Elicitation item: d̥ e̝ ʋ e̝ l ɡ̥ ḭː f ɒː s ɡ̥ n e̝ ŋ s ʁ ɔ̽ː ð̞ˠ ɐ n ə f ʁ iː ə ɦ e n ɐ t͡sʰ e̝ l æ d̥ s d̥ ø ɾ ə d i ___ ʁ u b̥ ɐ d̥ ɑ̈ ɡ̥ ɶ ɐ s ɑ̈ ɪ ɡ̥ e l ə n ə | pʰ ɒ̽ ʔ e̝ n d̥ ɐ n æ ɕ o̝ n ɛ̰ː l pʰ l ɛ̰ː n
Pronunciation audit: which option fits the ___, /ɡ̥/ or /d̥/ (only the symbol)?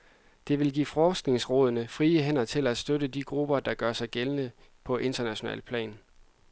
ɡ̥